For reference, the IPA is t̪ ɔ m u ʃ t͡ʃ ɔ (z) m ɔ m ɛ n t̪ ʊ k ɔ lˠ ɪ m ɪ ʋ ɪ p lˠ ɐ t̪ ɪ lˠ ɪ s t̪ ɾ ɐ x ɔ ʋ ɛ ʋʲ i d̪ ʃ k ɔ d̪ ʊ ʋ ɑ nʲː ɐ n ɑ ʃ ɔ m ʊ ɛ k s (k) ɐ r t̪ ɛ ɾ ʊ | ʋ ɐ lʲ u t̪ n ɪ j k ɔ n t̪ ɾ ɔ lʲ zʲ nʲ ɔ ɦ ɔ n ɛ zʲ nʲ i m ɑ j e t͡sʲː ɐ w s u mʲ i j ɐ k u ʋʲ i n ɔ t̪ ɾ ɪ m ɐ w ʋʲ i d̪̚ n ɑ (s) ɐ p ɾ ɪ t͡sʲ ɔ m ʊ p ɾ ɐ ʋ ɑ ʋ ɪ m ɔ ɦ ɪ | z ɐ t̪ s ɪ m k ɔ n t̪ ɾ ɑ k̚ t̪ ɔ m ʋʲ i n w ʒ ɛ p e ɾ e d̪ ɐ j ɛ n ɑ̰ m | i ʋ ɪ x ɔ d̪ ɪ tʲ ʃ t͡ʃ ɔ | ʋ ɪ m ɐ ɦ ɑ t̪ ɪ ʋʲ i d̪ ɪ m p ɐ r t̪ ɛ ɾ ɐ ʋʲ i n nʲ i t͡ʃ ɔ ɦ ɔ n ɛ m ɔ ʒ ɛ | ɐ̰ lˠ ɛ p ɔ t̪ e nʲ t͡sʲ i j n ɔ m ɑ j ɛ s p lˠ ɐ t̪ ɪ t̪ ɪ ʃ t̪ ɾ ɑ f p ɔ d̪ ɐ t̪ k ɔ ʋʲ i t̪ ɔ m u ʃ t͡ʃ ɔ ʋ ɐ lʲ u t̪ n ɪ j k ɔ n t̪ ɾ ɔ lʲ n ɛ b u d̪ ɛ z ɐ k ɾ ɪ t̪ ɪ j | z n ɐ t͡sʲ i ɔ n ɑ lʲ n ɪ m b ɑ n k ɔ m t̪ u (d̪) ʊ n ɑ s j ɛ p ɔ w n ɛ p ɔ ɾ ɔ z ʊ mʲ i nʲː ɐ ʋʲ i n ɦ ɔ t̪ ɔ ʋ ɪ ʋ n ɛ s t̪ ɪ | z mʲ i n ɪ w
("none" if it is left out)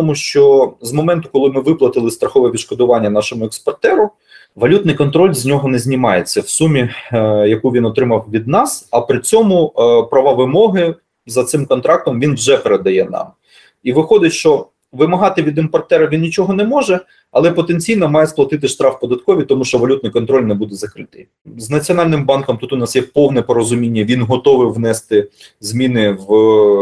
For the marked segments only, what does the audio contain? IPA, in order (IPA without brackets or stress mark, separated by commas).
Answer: z, p, s, t̪